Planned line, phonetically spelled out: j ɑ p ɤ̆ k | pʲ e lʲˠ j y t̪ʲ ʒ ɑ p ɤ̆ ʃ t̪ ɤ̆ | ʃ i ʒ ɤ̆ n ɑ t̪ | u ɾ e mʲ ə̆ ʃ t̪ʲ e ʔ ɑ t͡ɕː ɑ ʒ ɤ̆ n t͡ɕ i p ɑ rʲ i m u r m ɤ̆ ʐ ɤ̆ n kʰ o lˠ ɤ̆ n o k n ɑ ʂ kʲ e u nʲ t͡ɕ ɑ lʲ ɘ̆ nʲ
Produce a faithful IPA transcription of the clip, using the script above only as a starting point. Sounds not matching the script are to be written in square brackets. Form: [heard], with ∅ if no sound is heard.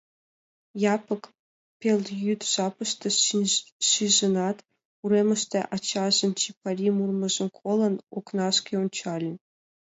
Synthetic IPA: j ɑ p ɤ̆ k | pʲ e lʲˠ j y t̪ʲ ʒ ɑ p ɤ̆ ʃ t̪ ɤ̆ | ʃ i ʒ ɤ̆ n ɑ t̪ | u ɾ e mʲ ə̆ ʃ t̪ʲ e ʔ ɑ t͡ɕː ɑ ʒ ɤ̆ n t͡ɕ i p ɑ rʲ i m u r m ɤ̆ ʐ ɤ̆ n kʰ o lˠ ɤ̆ n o k n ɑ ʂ kʲ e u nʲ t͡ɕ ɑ lʲ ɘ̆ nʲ